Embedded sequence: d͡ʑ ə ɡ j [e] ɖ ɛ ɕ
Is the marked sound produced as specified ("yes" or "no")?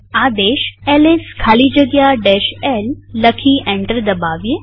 no